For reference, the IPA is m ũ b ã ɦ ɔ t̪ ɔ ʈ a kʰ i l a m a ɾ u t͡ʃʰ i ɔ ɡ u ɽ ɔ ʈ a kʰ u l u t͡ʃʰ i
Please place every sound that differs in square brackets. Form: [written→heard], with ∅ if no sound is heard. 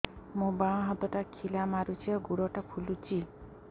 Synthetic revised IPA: m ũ b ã ɦ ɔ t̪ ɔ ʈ a kʰ i l a m a ɾ u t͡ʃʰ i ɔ ɡ u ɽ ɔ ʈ a [kʰ→pʰ] u l u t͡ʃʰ i